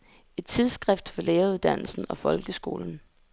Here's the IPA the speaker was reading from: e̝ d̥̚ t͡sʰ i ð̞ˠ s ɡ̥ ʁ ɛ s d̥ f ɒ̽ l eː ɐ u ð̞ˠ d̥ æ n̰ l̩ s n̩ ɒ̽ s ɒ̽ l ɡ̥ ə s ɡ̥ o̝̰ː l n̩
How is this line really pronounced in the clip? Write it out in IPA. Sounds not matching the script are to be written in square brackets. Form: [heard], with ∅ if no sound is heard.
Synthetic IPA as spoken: e̝ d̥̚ t͡sʰ i ð̞ˠ s ɡ̥ ʁ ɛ [f] d̥ f ɒ̽ l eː ɐ u ð̞ˠ d̥ æ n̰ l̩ s n̩ ɒ̽ [f] ɒ̽ l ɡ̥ ə s ɡ̥ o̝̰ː l n̩